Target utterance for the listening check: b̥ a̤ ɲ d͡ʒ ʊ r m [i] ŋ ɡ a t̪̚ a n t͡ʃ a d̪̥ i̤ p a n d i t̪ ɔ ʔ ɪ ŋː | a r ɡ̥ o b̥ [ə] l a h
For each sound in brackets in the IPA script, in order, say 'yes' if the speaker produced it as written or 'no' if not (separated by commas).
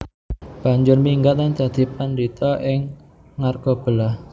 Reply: yes, yes